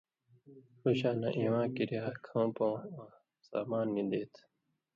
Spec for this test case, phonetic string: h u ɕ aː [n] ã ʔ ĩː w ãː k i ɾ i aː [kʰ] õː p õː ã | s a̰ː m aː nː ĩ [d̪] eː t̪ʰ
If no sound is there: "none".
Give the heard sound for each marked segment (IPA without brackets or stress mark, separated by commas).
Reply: n, kʰ, d̪